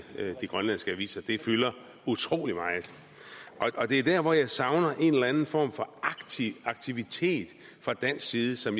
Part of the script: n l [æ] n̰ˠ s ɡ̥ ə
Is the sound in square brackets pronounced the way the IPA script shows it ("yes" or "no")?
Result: yes